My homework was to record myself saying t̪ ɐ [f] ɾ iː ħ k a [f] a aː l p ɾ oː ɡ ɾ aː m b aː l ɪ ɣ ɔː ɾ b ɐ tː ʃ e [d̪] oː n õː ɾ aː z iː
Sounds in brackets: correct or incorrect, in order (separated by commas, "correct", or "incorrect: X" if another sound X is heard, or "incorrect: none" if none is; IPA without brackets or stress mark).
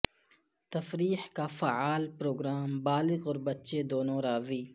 correct, correct, correct